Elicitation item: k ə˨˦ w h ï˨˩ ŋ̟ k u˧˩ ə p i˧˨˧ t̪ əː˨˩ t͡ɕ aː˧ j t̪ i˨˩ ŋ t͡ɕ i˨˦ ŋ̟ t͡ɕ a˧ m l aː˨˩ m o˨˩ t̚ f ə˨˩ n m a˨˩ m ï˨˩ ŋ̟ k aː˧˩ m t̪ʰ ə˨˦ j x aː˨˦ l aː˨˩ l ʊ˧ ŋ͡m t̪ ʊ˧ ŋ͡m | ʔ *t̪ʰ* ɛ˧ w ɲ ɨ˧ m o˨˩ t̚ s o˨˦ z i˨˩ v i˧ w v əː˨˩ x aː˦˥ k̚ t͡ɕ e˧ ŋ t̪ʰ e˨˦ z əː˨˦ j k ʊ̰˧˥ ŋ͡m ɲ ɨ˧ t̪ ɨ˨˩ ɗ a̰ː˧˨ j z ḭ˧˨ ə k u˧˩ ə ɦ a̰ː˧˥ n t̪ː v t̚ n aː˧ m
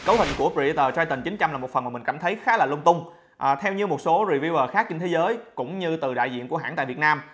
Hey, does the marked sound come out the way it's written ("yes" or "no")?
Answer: yes